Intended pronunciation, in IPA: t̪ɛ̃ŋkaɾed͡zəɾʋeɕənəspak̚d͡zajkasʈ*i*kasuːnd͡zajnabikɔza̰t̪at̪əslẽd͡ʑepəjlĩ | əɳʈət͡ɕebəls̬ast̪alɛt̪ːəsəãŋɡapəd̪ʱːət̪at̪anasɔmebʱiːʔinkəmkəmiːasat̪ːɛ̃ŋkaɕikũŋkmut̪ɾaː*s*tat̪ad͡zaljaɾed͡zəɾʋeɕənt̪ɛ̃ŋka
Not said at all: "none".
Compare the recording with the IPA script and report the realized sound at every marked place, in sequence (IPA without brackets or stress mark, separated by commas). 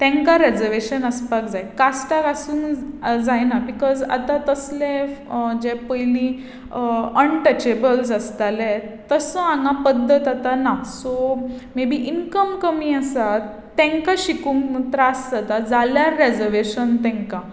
a, s